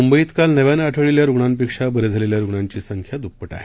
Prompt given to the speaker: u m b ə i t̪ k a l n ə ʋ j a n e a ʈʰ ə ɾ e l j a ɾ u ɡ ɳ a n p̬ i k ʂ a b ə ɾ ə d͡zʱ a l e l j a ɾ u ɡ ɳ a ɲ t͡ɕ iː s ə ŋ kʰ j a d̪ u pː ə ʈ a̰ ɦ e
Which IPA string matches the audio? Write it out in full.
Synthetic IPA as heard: u m b ə i t̪ k a l n ə ʋ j a n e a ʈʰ ə ɭ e l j a ɾ u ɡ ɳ a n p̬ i k ʂ a b ə ɾ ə d͡zʱ a l e l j a ɾ u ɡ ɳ a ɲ t͡ɕ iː s ə ŋ kʰ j a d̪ u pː ə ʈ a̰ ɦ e